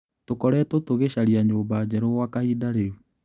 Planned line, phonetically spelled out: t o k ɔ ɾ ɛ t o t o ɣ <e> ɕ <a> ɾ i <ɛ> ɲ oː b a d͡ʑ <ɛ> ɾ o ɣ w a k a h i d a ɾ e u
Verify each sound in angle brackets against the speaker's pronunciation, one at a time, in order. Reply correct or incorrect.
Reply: correct, correct, incorrect: a, correct

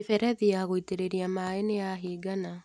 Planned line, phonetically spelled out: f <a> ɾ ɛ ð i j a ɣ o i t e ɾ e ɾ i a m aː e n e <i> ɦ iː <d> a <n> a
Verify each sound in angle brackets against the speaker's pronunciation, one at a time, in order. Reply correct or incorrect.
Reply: incorrect: ɛ, incorrect: a, incorrect: ɡ, correct

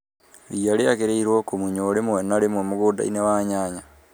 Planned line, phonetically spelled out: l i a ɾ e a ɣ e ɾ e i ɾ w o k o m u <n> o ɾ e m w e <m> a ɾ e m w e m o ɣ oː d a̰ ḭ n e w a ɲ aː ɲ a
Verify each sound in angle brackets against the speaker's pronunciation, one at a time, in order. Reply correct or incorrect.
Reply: incorrect: ɲ, incorrect: n

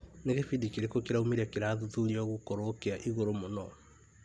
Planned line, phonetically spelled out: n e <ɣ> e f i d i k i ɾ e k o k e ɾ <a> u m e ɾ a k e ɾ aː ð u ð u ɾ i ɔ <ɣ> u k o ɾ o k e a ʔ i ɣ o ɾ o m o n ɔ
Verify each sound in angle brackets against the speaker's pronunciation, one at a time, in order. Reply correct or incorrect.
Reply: correct, correct, correct

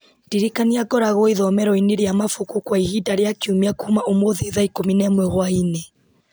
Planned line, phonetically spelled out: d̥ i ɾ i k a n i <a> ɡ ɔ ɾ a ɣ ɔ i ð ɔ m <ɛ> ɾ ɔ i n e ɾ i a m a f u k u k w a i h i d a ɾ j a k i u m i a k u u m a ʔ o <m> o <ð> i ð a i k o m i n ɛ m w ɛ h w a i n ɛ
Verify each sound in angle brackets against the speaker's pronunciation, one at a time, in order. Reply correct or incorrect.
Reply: correct, correct, correct, correct

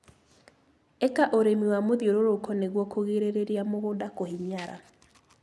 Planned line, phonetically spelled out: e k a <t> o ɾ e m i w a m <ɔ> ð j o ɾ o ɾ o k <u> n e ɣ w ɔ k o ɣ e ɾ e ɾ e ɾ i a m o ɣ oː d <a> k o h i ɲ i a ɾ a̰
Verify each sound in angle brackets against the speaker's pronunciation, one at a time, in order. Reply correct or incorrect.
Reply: incorrect: ʔ, incorrect: o, incorrect: ɔ, correct

